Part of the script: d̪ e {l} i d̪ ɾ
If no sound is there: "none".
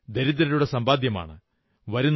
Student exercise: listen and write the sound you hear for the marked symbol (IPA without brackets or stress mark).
ɾ